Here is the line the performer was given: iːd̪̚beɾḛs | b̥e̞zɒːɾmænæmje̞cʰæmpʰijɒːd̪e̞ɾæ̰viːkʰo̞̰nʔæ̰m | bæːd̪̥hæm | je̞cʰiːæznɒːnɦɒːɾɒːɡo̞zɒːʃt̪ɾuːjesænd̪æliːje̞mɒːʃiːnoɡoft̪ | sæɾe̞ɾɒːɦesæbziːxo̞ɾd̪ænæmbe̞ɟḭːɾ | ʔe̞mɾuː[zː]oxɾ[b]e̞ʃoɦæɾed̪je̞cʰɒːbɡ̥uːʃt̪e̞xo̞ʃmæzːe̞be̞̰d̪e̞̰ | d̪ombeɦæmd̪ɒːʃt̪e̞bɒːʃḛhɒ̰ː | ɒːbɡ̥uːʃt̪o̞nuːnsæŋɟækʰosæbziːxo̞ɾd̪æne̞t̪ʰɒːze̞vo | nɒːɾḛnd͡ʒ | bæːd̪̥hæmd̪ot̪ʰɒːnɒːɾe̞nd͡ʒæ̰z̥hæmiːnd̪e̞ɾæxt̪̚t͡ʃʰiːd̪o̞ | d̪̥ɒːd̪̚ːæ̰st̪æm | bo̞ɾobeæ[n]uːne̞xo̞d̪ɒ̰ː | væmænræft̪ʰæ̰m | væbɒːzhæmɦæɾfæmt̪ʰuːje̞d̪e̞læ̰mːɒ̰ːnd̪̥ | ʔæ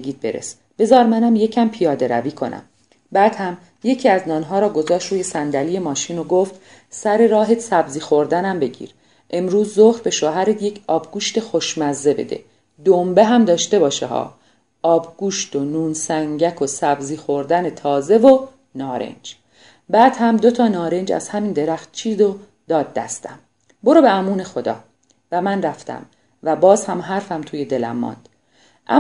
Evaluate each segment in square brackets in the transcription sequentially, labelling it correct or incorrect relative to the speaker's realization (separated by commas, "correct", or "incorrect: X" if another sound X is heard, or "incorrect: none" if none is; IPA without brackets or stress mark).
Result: correct, correct, incorrect: m